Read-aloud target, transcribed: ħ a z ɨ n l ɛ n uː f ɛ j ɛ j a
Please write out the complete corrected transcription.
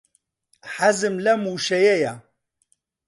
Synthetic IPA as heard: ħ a z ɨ m l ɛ m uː ʃ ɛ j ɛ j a

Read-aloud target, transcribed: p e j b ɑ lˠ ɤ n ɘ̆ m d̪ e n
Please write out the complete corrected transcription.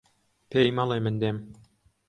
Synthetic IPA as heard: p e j m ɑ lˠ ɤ m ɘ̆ n d̪ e m

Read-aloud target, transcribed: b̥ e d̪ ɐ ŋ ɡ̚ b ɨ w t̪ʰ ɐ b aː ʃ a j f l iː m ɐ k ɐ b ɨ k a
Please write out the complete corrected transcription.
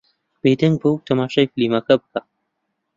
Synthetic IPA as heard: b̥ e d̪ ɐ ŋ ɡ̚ b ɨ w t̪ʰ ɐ m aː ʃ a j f l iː m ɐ k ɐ b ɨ k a

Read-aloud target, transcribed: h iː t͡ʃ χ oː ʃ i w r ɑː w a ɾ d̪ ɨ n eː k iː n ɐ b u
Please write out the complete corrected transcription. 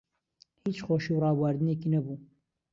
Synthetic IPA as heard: h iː t͡ʃ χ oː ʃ i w r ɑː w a ɾ d̪ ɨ n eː k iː n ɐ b u

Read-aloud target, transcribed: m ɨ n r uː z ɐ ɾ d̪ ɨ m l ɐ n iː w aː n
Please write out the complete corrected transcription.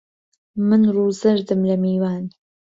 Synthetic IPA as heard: m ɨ n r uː z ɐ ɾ d̪ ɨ m l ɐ m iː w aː n

